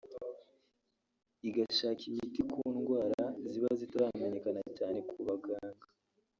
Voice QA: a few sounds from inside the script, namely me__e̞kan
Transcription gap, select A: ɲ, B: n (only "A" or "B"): A